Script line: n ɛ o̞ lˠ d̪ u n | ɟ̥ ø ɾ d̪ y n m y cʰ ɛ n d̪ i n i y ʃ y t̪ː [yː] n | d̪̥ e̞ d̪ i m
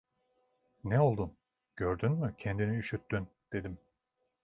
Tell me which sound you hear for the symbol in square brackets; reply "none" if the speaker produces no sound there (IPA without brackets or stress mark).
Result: y